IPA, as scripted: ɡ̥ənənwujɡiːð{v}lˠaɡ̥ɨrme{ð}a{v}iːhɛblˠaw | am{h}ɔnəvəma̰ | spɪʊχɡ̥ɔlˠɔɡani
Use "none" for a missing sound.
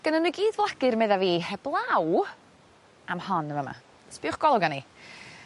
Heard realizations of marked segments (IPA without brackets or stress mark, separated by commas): v, ð, v, h